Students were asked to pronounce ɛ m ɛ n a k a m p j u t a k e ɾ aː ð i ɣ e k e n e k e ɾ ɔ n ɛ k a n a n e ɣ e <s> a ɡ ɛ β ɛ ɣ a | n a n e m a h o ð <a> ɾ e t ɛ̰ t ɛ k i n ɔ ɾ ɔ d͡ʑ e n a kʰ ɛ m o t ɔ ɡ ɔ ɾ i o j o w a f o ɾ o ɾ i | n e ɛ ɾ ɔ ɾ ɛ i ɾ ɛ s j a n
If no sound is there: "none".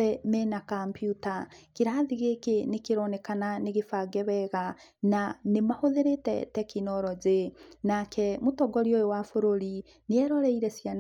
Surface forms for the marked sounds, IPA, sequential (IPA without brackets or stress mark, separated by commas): f, e